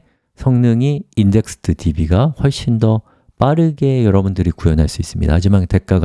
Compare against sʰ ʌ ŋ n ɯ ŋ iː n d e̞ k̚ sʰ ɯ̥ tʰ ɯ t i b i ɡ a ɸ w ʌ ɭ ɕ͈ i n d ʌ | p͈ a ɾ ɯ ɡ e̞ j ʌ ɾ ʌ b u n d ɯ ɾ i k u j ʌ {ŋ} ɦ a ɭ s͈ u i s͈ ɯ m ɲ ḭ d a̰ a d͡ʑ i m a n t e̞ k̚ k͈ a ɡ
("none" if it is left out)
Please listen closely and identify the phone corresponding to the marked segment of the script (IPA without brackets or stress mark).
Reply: n